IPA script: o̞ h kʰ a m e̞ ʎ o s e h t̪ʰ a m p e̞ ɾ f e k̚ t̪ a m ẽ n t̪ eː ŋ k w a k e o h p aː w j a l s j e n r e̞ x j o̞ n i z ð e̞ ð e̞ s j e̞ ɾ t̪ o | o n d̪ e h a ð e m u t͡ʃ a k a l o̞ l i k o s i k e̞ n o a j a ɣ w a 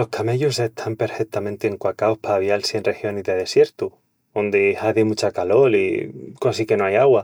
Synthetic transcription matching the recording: o̞ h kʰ a m e̞ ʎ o s e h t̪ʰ a m p e̞ ɾ f e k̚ t̪ a m ẽ n t̪ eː ŋ k w a k a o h p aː β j a l s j e n r e̞ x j o̞ n i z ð e̞ ð e̞ s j e̞ ɾ t̪ u | o n d̪ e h a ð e m u t͡ʃ a k a l o̞ l i k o s i k e̞ n o a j a ɣ w a

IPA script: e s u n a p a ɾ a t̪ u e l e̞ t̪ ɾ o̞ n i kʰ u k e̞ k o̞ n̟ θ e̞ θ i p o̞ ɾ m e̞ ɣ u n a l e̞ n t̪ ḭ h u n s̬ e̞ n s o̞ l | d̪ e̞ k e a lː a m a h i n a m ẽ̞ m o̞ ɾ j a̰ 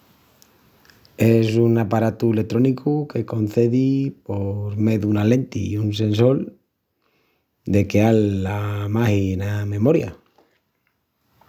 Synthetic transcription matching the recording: e s u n a p a ɾ a t̪ u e l e̞ t̪ ɾ o̞ n i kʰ u k e̞ k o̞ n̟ θ e̞ ð i p o̞ ɾ m e̞ ð u n a l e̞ n t̪ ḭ u n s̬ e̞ n s o̞ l | d̪ e̞ k e a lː a m a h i n a m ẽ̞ m o̞ ɾ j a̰

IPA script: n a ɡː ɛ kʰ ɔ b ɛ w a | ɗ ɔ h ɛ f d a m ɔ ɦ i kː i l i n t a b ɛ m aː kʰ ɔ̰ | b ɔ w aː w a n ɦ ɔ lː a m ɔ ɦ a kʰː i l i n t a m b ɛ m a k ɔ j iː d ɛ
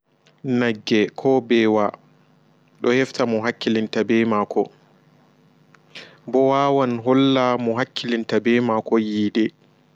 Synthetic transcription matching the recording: n a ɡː ɛ kʰ ɔ b ɛ w a | ɗ ɔ h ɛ f t a m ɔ ɦ a kː i l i n t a b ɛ m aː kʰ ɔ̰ | b ɔ w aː w a n ɦ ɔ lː a m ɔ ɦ a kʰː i l i n t a b ɛ m a k ɔ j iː d ɛ

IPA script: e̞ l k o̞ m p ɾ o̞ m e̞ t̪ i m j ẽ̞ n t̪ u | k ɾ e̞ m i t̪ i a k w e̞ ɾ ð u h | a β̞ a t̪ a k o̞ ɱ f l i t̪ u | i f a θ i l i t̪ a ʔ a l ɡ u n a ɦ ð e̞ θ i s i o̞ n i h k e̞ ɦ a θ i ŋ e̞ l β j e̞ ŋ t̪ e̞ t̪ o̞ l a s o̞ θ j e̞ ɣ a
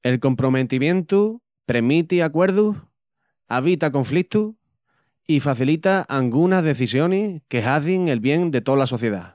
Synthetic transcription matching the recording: e̞ l k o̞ m p ɾ o̞ m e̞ t̪ i m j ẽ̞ n t̪ u | p ɾ e̞ m i t̪ i a k w e̞ ɾ ð u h | a β̞ i t̪ a k o̞ ɱ f l i t̪ u | i f a θ i l i t̪ a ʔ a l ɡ u n a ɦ ð e̞ θ i s j o̞ n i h k e̞ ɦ a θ i ŋ e̞ l β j e̞ ŋ d̪ e̞ t̪ o̞ l a s o̞ θ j e̞ ð a

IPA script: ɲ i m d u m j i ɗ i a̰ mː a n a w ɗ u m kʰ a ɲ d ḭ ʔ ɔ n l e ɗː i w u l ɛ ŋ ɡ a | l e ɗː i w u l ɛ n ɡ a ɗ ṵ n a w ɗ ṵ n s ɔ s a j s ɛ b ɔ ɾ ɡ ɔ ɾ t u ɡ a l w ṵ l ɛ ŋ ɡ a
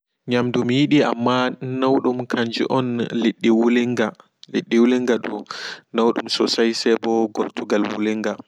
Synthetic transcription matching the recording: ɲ a m d u m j i ɗ i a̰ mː a n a w ɗ u m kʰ a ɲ d͡ʒ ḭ ʔ ɔ n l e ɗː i w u l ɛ ŋ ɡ a | l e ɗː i w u l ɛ ŋ ɡ a ɗ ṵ n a w ɗ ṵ m s ɔ s a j s ɛ b ɔ ɡ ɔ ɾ t u ɡ a l w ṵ l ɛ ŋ ɡ a

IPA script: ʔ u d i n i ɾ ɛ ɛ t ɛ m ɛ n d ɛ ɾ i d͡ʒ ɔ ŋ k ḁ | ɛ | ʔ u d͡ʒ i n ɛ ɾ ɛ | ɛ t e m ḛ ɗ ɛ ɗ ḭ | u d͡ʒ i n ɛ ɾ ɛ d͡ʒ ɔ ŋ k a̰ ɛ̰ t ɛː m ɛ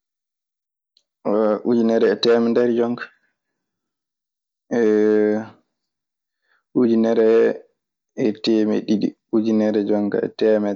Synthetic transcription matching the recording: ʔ u d͡ʒ i n ɛ ɾ ɛ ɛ t ɛ m ɛ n d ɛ ɾ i d͡ʒ ɔ ŋ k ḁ | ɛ | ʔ u d͡ʒ i n ɛ ɾ ɛ | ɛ t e m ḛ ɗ i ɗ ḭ | u d͡ʒ i n ɛ ɾ ɛ d͡ʒ ɔ ŋ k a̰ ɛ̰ t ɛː m ɛ

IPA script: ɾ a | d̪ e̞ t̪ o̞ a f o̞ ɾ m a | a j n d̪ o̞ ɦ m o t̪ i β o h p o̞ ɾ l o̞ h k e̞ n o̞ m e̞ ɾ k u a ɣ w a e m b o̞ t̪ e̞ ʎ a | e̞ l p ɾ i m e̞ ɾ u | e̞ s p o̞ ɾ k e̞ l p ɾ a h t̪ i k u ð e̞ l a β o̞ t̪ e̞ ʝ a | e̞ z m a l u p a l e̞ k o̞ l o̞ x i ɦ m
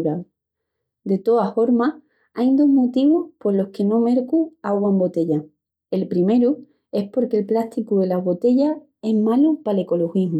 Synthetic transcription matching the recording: ɾ a | d̪ e̞ t̪ o̞ a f o̞ ɾ m a | a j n d̪ o̞ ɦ m o t̪ i β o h p o̞ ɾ l o̞ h k e̞ n o̞ m e̞ ɾ k u a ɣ w a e m b o̞ t̪ e̞ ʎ a | e̞ l p ɾ i m e̞ ɾ u | e̞ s p o̞ ɾ k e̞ l p l a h t̪ i k u ð e̞ l a β o̞ t̪ e̞ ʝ a | e̞ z m a l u p a l e̞ k o̞ l o̞ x i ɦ m

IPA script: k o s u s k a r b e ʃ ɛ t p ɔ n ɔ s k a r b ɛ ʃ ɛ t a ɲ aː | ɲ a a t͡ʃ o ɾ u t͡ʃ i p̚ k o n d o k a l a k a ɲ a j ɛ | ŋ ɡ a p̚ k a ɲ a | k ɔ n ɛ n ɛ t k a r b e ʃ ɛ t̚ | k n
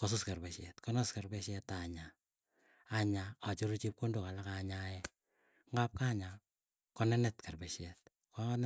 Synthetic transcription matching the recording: k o s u s k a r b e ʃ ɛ t k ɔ n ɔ s k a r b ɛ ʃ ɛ t a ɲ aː | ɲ a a t͡ʃ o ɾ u t͡ʃ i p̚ k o n d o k a l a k a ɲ a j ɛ | ŋ ɡ a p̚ k a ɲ a | k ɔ n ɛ n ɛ t k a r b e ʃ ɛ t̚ | k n

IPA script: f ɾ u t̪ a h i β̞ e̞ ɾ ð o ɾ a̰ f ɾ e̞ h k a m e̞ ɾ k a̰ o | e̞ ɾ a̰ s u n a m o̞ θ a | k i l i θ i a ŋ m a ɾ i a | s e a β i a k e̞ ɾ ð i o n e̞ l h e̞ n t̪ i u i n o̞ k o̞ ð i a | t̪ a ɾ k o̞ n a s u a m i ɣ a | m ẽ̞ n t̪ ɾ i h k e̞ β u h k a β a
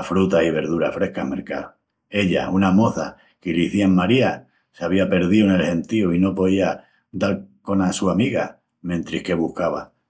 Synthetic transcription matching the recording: f ɾ u t̪ a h i β̞ e̞ ɾ ð u ɾ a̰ f ɾ e̞ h k a m e̞ ɾ k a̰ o | e̞ ʎ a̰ u n a m o̞ θ a | k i l i θ i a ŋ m a ɾ i a | s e a β i a p e̞ ɾ ð i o n e̞ l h e̞ n t̪ i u i n o̞ p o̞ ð i a | d̪ a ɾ k o̞ n a s u a m i ɣ a | m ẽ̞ n t̪ ɾ i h k e̞ β u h k a β a

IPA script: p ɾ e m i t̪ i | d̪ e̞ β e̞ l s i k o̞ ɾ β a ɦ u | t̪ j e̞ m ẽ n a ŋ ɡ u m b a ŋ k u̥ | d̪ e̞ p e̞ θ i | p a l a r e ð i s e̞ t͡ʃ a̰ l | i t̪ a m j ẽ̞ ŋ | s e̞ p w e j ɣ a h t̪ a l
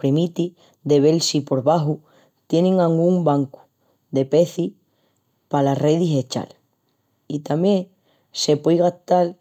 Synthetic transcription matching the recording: p ɾ e m i t̪ i | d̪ e̞ β e̞ l s i p o̞ ɾ β a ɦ u | t̪ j e̞ n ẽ ŋ a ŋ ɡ u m b a ŋ k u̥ | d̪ e̞ p e̞ θ i | p a l a r e ð i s e̞ t͡ʃ a̰ l | i t̪ a m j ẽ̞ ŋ | s e̞ p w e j ɣ a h t̪ a l

